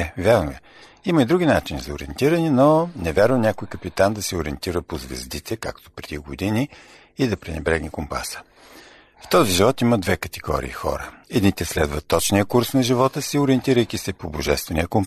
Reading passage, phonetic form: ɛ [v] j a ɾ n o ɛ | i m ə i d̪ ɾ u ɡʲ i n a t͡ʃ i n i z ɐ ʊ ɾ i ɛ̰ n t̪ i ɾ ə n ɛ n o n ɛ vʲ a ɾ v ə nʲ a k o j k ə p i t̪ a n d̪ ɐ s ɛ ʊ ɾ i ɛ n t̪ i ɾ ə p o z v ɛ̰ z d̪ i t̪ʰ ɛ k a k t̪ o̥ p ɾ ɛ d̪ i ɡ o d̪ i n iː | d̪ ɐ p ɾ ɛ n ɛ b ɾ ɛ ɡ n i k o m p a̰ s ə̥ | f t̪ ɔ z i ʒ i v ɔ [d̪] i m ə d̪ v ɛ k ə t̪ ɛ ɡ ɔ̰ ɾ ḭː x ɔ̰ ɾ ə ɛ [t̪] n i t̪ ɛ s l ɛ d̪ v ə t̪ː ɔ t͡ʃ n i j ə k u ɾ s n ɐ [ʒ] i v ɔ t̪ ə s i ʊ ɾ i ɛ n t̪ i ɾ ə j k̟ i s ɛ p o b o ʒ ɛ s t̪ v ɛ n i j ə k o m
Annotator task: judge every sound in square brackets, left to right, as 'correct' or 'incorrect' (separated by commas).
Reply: correct, incorrect, incorrect, correct